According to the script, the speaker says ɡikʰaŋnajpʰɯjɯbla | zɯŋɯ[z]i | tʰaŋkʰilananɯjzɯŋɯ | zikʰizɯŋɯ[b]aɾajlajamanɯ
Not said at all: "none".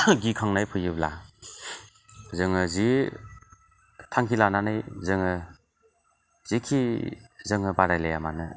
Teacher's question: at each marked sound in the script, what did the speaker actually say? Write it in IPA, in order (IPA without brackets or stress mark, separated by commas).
z, b